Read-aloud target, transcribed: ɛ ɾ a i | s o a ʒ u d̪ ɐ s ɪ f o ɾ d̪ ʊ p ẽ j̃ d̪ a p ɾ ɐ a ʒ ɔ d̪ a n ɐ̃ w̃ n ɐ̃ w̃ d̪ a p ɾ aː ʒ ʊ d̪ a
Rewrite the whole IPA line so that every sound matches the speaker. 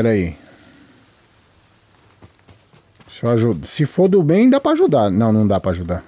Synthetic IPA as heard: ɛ ɾ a i | s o a ʒ u d̪ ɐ s ɪ f o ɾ d̪ ʊ b ẽ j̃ d̪ a p ɾ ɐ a ʒ u d̪ a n ɐ̃ w̃ n ɐ̃ w̃ d̪ a p ɾ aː ʒ u d̪ a